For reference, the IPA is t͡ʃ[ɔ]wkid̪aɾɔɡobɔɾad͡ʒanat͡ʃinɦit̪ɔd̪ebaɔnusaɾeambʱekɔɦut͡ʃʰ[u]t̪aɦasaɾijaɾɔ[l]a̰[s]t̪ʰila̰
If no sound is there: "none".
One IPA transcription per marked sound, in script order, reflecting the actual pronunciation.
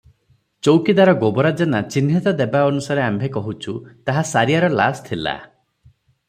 o, u, l, s

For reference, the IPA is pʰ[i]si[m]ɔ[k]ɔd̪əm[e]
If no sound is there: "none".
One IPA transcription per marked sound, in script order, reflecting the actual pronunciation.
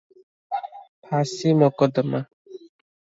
a, m, k, a

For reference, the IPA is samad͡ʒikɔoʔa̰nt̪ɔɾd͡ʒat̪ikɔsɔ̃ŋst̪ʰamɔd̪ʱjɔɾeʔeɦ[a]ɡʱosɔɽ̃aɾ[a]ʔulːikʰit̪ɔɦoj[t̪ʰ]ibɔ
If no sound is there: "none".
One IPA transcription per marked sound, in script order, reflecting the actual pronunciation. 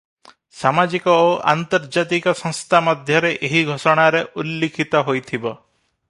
i, e, t̪ʰ

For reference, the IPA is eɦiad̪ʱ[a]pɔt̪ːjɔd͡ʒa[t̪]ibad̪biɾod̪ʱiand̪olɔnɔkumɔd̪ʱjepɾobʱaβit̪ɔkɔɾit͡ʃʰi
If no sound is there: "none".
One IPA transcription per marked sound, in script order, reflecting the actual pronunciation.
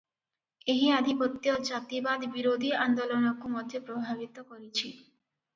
i, t̪

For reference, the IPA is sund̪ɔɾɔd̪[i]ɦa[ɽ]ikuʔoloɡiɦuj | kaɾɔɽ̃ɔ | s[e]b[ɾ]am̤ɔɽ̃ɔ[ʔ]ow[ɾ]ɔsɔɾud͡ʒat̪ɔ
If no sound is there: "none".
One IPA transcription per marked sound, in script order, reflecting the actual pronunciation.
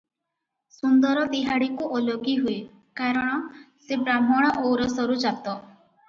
i, ɽ, e, ɾ, ʔ, ɾ

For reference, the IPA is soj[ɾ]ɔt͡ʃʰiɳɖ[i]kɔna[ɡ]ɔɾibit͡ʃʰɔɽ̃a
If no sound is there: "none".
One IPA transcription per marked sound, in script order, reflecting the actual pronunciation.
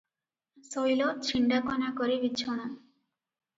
l, a, k

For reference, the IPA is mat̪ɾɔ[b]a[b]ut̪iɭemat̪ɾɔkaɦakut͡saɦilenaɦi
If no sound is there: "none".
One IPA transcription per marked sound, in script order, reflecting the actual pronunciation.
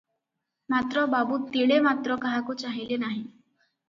b, b

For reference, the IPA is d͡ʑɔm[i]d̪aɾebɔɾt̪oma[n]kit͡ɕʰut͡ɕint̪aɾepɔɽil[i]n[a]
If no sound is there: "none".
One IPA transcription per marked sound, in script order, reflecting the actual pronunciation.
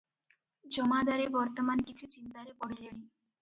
a, n, e, i

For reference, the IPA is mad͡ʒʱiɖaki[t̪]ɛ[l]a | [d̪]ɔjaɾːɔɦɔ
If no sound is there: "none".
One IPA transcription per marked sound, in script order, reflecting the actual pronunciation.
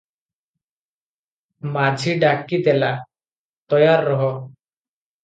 d̪, l, t̪

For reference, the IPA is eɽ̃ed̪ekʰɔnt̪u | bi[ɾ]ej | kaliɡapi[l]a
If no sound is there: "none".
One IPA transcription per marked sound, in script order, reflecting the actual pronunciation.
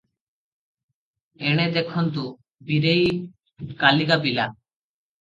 ɾ, l

